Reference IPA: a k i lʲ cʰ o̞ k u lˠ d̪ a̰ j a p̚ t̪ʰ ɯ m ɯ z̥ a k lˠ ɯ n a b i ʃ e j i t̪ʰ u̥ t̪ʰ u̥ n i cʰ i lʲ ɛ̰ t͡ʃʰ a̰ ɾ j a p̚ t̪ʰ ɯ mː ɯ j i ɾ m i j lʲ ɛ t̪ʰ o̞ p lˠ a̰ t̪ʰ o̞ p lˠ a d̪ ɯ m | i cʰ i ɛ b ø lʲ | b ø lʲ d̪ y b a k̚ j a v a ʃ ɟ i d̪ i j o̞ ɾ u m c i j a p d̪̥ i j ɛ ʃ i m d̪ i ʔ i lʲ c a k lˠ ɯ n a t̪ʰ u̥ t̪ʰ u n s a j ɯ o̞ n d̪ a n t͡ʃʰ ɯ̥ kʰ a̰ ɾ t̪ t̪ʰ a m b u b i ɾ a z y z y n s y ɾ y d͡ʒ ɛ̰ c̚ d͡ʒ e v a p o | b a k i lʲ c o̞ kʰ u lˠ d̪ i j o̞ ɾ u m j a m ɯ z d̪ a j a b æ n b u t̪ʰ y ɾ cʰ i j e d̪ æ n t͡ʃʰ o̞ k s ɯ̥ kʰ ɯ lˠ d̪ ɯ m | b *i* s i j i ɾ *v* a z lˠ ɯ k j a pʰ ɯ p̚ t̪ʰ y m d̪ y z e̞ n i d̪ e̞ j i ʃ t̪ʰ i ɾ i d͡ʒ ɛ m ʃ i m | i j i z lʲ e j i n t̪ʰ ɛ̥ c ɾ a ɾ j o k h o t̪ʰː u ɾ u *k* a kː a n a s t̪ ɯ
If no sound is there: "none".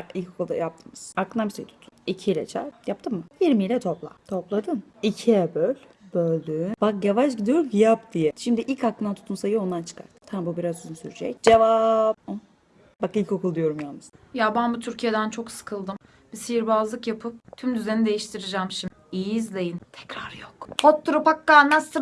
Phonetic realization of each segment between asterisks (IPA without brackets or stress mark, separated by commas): i, b, p